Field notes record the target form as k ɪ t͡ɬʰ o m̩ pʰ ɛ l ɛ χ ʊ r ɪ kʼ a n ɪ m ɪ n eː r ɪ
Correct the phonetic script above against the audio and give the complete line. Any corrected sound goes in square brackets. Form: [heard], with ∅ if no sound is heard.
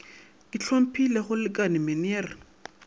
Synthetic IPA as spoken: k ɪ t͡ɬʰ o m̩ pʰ [i] l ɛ χ ʊ [l] ɪ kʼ a n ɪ m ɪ n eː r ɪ